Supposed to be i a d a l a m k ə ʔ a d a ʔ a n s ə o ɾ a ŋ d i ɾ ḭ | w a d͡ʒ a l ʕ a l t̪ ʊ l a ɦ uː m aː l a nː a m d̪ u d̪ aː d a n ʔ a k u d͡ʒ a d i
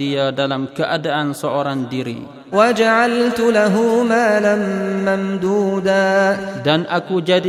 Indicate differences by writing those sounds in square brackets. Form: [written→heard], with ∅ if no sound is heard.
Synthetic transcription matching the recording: i a d a l a m k ə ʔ a d a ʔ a n s ə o ɾ a ŋ d i ɾ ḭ | w a d͡ʒ a [l→∅] ʕ a l t̪ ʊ l a ɦ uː m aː l a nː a m d̪ [u→uː] d̪ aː d a n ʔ a k u d͡ʒ a d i